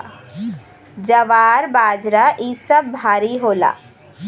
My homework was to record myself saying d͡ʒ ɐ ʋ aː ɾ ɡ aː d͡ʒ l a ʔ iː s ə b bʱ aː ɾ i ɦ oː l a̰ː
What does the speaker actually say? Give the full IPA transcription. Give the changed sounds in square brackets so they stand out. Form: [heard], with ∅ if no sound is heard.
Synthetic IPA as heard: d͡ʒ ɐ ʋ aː ɾ [b] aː d͡ʒ [ɾ] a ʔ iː s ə b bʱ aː ɾ i ɦ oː l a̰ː